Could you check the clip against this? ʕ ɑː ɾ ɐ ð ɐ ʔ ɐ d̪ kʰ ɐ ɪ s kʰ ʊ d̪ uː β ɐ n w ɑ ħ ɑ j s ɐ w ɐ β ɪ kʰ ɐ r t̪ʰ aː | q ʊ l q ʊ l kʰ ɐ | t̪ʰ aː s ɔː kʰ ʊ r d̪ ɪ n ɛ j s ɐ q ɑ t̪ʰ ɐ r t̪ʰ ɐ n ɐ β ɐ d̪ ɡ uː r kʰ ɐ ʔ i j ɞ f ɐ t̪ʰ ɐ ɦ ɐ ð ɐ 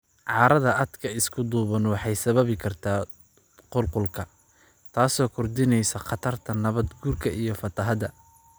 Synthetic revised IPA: ʕ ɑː ɾ ɐ ð ɐ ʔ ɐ d̪ kʰ ɐ ɪ s kʰ ʊ d̪ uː β ɐ n w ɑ ħ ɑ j s ɐ β ɐ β ɪ kʰ ɐ r t̪ʰ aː | q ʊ l q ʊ l kʰ ɐ | t̪ʰ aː s ɔː kʰ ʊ r d̪ ɪ n ɛ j s ɐ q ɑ t̪ʰ ɐ r t̪ʰ ɐ n ɐ β ɐ d̪ ɡ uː r kʰ ɐ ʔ i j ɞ f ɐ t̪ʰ ɐ ɦ ɐ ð ɐ